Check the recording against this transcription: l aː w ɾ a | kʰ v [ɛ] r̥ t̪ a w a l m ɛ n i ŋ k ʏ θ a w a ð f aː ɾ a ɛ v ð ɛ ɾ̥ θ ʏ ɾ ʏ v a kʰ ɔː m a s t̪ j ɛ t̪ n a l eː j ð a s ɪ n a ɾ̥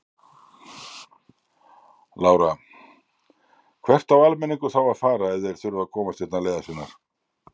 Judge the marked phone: correct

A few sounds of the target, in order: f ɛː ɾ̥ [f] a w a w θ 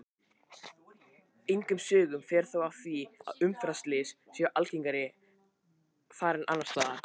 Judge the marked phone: incorrect: θ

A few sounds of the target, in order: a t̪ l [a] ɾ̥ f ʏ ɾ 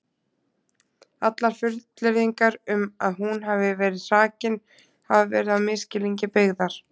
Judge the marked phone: correct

